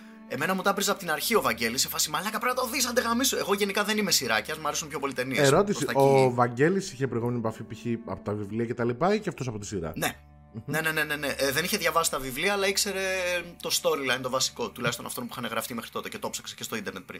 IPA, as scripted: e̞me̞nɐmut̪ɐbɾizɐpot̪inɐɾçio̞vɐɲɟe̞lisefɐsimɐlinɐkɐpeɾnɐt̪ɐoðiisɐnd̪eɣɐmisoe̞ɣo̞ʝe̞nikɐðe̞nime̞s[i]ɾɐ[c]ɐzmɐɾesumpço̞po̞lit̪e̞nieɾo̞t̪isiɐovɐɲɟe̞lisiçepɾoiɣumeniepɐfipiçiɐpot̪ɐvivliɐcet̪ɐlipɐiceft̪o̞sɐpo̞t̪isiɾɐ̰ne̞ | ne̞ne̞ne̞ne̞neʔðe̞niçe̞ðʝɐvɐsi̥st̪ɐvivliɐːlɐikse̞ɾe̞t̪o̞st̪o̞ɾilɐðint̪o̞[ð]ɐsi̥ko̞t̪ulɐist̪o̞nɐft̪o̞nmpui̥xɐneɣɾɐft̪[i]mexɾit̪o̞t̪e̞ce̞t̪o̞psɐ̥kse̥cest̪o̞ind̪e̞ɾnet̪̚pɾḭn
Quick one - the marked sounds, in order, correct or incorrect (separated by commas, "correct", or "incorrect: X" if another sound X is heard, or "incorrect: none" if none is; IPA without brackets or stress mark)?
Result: correct, correct, incorrect: v, correct